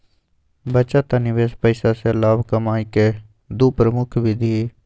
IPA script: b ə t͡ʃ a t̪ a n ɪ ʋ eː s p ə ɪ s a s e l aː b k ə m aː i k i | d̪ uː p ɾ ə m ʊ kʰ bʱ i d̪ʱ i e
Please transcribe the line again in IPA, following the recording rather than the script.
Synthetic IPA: b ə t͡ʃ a t̪ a n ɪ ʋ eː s p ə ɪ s a s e l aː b k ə m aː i k e | d̪ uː p ɾ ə m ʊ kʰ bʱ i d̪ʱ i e

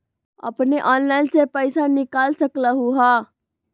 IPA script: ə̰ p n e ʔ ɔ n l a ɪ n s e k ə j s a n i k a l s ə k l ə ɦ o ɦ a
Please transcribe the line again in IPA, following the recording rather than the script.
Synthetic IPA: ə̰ p n e ʔ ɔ n l a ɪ n s e p ə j s a n i k a l s ə k l ə ɦ u ɦ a

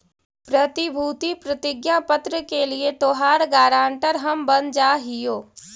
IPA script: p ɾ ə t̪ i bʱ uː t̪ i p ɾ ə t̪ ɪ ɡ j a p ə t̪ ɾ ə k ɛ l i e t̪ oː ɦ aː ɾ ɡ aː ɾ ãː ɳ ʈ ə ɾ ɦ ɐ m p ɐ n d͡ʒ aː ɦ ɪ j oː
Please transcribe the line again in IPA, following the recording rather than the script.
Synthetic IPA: p ɾ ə t̪ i bʱ uː t̪ i p ɾ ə t̪ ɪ ɡ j a p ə t̪ ɾ ə k e l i e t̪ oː ɦ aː ɾ ɡ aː ɾ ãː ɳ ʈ ə ɾ ɦ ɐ m b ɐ n d͡ʒ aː ɦ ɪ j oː

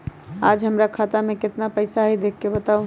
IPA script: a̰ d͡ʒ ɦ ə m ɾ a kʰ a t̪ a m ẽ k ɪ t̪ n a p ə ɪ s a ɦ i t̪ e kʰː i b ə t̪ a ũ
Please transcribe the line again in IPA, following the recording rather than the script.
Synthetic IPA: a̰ d͡ʒ ɦ ə m ɾ a kʰ a t̪ a m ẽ k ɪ t̪ n a p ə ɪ s a ɦ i d̪ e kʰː e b ə t̪ a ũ

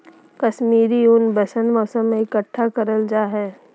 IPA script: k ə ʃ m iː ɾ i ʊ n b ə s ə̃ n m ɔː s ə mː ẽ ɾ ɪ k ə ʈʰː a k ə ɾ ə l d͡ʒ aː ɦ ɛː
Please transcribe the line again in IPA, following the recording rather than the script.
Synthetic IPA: k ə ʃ m iː ɾ i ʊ n b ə s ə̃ n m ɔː s ə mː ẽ ɪ k ə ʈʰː a k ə ɾ ə l d͡ʒ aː ɦ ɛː

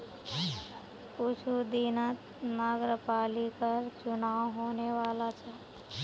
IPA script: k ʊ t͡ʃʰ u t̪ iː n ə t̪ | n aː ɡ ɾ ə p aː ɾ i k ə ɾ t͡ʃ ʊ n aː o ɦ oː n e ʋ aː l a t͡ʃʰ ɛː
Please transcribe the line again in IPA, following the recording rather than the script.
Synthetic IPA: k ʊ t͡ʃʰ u d̪ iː n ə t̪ | n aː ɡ ɾ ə p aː l i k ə ɾ t͡ʃ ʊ n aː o ɦ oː n e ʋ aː l a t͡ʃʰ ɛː

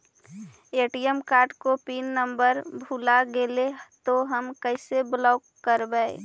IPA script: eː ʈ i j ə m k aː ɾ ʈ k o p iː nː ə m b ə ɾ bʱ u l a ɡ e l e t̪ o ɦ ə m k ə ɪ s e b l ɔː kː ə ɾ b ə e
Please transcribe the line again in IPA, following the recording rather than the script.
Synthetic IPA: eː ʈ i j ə m k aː ɾ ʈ k o p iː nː ə m b ə ɾ bʱ u l a ɡ e l e t̪ o ɦ ə m k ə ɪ s e b l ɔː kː ə ɾ b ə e

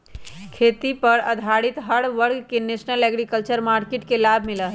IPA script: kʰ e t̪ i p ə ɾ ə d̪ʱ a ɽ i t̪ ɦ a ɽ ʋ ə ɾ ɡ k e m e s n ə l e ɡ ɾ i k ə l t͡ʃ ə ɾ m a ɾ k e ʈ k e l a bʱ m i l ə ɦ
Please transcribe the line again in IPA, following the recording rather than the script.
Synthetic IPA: kʰ e t̪ i p ə ɾ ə d̪ʱ a ɽ i t̪ ɦ ə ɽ ʋ ə ɾ ɡ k e n e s n ə l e ɡ ɾ i k ə l t͡ʃ ə ɾ m a ɾ k e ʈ k e l a bʱ m i l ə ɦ

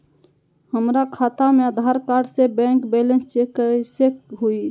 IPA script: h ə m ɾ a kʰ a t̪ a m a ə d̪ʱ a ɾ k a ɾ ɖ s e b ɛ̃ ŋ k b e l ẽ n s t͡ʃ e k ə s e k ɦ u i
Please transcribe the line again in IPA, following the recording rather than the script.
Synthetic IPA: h ə m ɾ a kʰ a t̪ a m e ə d̪ʱ a ɾ k a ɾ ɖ s e b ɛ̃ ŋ k b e l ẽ n s t͡ʃ e k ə s e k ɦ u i

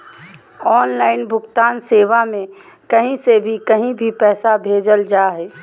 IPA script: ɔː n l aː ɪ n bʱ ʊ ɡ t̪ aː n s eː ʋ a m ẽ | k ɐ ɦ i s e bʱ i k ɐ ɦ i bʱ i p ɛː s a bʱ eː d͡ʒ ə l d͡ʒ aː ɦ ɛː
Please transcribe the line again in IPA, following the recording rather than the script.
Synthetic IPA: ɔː n l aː ɪ n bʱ ʊ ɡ t̪ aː n s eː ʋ a m ẽ | k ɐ ɦ ĩ s e bʱ i k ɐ ɦ ĩ bʱ i p ɛː s a bʱ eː d͡ʒ ə l d͡ʒ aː ɦ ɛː

